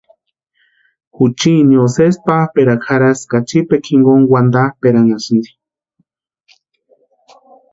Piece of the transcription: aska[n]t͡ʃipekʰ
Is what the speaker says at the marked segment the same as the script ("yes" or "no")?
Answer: no